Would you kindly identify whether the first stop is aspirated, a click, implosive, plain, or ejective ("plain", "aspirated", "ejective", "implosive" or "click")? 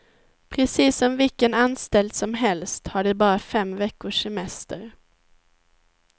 aspirated